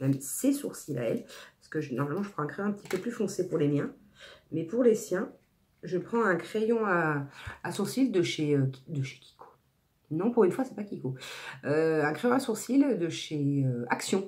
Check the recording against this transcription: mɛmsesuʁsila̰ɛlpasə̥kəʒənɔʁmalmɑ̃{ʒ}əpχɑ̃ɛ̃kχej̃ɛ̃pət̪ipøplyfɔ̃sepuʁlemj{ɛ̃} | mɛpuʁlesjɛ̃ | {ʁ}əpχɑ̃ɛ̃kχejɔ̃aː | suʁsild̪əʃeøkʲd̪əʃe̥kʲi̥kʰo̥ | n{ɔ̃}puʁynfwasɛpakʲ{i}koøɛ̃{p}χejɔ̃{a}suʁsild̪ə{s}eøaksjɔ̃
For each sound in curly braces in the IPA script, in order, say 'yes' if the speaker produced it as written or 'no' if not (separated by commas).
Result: yes, yes, no, yes, yes, no, yes, no